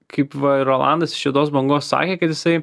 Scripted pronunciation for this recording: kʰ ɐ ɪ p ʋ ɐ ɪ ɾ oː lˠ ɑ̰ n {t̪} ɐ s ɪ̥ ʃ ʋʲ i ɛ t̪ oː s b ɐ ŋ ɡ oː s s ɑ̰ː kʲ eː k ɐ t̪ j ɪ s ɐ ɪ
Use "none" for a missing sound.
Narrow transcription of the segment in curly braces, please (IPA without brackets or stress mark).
d̪